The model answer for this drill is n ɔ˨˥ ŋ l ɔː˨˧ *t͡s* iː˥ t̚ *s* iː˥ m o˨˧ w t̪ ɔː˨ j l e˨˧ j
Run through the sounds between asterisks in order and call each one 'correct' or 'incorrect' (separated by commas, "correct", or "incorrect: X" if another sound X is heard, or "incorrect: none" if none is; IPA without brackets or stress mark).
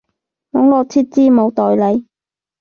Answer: incorrect: t͡sʰ, incorrect: t͡s